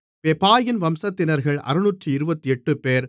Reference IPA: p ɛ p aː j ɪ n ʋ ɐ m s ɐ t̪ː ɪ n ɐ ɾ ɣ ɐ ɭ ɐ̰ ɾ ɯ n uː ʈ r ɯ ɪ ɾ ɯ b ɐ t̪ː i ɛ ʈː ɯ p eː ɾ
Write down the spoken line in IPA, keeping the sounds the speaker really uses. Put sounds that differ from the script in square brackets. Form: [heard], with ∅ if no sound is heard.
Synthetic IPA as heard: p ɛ p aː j ɪ n ʋ ɐ m s ɐ t̪ː ɪ n ɐ ɾ ɣ ɐ ɭ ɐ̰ ɾ ɯ n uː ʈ r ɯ ɪ ɾ ɯ b ɐ t̪ː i ɛ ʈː ɯ p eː ɾ